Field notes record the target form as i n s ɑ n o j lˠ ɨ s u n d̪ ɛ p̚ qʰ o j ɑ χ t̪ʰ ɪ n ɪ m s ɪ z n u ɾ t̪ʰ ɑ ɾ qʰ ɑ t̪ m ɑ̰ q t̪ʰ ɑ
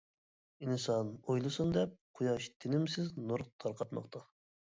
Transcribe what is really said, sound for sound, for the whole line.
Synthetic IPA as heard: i n s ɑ n o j lˠ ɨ s u n d̪ ɛ p̚ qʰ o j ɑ ʃ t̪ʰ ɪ n ɪ m s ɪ z n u ɾ t̪ʰ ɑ ɾ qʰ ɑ t̪ m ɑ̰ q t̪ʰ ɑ